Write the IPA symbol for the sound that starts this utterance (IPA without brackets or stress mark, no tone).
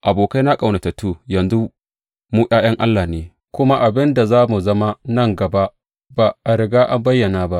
ʔ